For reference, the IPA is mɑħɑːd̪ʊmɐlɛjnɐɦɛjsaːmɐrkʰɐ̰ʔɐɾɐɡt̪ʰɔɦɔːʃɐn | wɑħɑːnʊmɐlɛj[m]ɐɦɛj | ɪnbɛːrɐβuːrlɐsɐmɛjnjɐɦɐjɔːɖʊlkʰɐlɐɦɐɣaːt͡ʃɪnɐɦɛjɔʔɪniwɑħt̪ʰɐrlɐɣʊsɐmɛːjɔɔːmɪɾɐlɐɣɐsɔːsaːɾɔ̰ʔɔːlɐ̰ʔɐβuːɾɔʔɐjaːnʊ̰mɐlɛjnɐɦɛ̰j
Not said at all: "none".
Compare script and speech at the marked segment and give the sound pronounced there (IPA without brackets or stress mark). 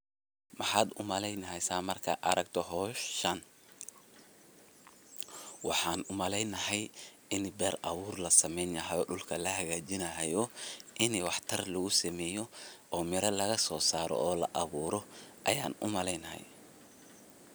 n